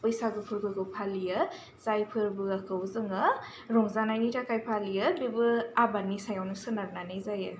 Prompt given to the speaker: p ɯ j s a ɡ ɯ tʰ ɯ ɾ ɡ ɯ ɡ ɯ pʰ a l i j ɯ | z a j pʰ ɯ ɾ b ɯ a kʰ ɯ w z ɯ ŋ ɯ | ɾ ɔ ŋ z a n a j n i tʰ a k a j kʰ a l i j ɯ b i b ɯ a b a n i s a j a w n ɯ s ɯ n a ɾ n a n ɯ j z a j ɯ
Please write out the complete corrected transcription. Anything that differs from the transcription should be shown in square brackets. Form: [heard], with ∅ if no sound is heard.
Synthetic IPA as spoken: p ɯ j s a ɡ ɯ [pʰ] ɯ ɾ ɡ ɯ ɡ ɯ pʰ a l i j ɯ | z a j pʰ ɯ ɾ b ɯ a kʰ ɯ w z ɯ ŋ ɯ | ɾ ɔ ŋ z a n a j n i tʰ a k a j [pʰ] a l i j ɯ b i b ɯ a b a n i s a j a w n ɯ s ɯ n a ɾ n a n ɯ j z a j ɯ